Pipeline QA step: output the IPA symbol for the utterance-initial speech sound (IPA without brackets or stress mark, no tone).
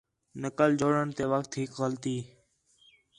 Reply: n